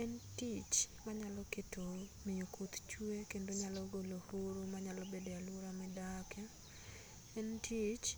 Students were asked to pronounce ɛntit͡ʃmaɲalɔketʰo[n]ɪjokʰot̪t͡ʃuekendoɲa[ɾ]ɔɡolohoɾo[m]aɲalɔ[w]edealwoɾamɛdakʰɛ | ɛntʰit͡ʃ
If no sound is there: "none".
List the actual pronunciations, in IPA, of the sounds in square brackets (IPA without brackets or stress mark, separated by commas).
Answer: m, l, m, b